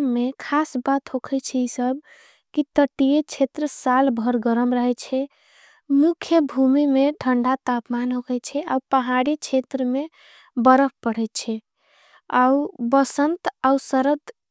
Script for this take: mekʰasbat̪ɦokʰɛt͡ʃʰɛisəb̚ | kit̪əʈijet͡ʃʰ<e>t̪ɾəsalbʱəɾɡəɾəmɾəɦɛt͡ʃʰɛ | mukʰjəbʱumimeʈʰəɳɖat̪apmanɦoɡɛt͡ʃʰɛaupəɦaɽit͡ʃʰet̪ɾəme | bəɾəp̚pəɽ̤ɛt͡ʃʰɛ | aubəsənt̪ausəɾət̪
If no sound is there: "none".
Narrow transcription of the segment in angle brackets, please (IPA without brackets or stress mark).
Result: e